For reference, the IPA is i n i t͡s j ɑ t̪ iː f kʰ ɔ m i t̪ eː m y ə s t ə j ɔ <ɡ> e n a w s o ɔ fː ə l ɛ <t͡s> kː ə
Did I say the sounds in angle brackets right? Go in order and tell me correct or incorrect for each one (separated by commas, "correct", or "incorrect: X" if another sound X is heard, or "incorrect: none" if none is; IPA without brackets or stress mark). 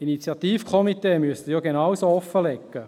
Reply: correct, incorrect: none